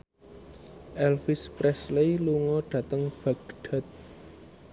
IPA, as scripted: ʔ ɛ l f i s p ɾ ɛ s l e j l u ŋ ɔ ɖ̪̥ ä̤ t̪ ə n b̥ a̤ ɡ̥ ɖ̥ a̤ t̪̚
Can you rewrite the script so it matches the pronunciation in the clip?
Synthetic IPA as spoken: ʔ ɛ l f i s p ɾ ɛ s l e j l u ŋ ɔ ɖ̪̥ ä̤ t̪ ə ŋ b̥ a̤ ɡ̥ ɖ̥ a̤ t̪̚